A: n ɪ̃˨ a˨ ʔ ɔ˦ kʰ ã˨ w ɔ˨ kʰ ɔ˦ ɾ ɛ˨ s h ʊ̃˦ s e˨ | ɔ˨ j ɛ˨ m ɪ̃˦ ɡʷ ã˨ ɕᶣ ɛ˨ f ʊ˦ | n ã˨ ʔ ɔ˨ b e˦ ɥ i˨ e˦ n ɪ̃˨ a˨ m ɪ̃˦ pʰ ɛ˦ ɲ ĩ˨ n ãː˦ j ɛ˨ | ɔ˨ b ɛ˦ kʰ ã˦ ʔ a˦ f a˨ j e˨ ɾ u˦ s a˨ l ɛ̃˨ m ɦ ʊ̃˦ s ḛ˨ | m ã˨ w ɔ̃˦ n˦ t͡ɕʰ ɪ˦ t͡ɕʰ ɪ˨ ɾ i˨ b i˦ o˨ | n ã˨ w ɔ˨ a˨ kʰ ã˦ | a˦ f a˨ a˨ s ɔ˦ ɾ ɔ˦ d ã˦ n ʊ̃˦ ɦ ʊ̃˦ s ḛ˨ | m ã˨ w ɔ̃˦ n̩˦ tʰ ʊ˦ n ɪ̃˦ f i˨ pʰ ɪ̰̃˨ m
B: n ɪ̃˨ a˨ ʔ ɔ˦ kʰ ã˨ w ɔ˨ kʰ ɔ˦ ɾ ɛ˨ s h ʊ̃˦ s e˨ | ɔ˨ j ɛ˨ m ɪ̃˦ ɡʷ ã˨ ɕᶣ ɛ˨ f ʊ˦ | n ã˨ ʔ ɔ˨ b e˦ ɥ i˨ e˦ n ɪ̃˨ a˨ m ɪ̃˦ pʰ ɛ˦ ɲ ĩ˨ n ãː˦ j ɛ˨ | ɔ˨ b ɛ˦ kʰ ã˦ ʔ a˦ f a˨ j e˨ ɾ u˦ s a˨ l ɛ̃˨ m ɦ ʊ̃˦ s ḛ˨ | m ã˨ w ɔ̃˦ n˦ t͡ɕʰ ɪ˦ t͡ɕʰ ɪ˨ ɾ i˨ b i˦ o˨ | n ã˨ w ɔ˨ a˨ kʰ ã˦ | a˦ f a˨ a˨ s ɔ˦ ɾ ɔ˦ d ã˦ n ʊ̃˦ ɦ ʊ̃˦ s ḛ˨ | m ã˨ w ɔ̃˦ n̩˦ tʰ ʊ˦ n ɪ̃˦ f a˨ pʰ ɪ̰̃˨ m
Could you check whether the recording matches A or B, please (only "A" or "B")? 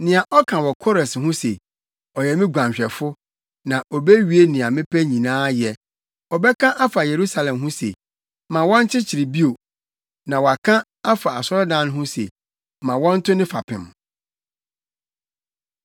B